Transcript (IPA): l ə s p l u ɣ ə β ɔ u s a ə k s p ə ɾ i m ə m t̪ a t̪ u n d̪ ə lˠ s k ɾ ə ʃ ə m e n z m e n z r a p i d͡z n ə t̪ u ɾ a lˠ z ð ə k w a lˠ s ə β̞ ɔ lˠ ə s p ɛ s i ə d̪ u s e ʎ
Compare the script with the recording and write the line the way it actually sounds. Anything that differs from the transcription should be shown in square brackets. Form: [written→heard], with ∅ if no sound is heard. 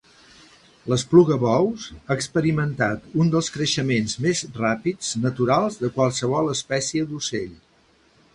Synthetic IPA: l ə s p l u ɣ ə β ɔ [u→w] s a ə k s p ə ɾ i m ə [m→n] t̪ a t̪ u n d̪ ə lˠ s k ɾ ə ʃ ə m e n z m e [n→∅] z r a p i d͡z n ə t̪ u ɾ a lˠ z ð ə k w a lˠ s ə β̞ ɔ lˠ ə s p ɛ s i ə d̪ u s e ʎ